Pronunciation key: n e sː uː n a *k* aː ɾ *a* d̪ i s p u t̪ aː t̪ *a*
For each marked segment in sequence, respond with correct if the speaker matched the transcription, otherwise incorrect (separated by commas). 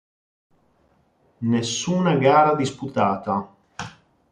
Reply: incorrect, correct, correct